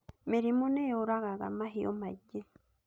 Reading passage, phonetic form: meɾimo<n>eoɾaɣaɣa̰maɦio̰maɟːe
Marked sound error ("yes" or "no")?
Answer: no